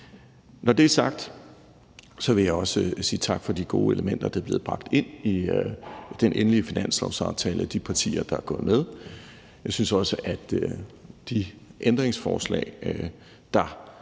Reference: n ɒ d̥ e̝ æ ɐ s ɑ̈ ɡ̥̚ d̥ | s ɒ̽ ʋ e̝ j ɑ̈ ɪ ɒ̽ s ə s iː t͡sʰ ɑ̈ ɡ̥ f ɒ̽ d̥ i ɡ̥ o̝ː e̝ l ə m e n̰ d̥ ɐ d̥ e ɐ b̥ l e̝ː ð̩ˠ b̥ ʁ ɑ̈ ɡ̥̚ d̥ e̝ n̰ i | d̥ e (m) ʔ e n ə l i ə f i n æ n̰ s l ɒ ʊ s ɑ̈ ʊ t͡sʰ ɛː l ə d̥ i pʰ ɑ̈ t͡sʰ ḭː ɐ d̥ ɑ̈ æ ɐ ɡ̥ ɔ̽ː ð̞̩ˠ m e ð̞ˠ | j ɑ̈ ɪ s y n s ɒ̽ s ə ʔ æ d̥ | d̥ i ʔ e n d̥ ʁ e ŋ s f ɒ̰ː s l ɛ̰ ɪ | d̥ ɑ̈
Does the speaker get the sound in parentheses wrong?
yes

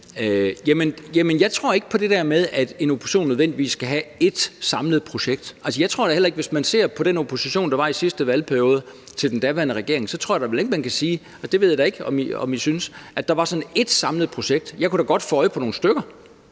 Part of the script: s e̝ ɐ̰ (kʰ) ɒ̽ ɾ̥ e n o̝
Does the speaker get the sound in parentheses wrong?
yes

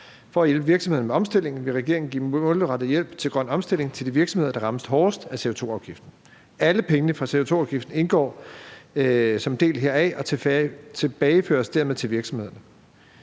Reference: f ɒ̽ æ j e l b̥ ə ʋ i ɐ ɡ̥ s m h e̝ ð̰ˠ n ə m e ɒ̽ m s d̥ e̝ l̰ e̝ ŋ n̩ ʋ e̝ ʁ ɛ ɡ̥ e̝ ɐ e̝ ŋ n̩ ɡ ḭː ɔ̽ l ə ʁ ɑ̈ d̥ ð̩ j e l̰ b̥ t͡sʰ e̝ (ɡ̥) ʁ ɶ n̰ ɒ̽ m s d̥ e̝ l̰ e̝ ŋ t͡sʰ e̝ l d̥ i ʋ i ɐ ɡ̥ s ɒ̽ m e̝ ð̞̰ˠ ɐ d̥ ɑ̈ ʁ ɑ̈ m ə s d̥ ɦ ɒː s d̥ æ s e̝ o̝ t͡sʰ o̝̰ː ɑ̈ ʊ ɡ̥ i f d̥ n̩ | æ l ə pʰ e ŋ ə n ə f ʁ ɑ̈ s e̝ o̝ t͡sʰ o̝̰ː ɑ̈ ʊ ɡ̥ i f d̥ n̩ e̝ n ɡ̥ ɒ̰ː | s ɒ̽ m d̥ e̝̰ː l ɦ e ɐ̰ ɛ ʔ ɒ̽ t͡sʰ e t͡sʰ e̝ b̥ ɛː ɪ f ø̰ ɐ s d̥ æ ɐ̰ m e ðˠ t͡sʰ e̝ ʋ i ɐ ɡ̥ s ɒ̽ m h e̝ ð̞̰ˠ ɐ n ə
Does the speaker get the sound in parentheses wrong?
no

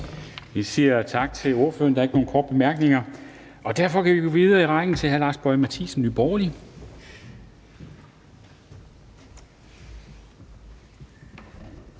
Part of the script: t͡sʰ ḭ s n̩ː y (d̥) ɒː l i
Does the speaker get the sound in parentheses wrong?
yes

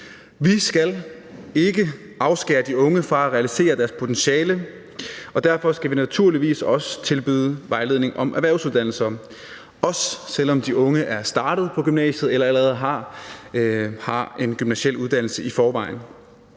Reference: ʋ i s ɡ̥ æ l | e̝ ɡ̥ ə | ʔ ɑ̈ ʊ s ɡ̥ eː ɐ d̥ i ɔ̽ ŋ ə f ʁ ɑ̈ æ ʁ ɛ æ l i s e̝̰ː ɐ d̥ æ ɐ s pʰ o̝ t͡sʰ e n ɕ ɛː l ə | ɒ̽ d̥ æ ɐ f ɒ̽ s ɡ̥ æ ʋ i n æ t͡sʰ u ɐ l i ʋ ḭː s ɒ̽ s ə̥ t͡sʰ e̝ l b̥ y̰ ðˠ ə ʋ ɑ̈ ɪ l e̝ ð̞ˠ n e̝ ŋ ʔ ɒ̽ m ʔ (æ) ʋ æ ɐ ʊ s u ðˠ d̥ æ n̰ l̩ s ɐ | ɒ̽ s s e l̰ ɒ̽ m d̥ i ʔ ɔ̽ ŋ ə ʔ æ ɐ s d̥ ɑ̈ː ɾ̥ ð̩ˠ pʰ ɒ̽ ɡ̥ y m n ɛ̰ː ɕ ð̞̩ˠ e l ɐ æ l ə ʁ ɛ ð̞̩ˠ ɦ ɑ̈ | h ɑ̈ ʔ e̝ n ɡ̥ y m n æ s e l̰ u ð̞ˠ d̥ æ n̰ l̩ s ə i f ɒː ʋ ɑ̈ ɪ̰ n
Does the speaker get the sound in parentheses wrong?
no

